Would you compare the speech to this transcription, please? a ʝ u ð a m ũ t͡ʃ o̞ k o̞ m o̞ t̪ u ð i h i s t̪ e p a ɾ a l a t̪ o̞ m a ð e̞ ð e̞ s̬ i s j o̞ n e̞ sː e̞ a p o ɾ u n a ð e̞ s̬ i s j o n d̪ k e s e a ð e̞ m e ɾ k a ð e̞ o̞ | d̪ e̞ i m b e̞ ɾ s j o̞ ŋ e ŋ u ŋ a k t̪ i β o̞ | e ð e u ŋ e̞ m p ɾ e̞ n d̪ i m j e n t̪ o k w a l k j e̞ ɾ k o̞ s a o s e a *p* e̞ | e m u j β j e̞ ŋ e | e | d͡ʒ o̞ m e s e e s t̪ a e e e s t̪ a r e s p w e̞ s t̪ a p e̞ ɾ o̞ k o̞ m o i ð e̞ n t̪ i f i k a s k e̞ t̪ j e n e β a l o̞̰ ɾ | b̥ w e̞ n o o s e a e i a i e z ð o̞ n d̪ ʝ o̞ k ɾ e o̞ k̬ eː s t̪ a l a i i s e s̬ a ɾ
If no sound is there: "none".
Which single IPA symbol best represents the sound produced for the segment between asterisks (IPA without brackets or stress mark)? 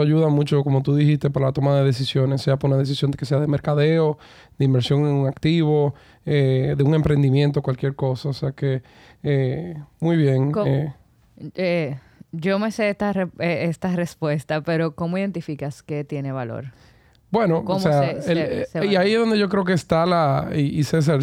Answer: k